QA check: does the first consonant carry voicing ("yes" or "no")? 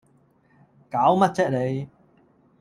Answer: no